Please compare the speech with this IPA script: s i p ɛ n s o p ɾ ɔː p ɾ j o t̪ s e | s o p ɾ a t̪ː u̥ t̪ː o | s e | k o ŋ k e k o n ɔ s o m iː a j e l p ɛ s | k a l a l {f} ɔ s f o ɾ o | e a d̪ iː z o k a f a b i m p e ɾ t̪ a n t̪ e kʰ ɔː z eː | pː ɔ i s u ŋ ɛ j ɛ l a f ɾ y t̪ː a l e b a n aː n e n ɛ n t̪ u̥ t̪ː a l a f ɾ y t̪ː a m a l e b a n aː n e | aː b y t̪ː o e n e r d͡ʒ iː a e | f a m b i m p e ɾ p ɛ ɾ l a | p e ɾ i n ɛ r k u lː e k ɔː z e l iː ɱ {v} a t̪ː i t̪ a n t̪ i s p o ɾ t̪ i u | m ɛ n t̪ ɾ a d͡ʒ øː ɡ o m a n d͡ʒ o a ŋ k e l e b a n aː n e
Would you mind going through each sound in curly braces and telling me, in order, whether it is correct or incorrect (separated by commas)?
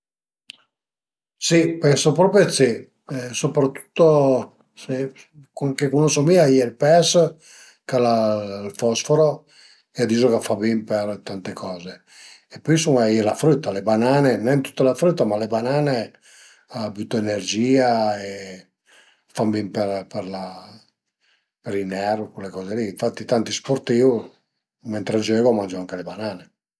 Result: correct, incorrect